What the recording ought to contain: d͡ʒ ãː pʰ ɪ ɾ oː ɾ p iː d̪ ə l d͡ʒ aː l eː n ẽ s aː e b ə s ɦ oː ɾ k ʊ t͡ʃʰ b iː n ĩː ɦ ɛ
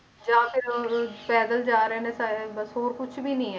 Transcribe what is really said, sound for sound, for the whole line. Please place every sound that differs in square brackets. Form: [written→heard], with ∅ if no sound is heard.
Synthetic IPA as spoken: d͡ʒ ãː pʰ ɪ ɾ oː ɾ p [iː→ɛː] d̪ ə l d͡ʒ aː [l→ɾ] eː n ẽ s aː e b ə s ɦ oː ɾ k ʊ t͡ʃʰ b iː n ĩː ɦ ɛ